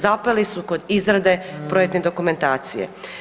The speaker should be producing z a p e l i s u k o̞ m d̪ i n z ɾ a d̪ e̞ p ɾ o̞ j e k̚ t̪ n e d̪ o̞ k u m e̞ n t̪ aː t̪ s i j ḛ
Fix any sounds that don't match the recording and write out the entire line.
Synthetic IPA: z a p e l i s u k o̞ d̪ i z ɾ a d̪ e̞ p ɾ o̞ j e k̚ t̪ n e d̪ o̞ k u m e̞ n t̪ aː t̪ s i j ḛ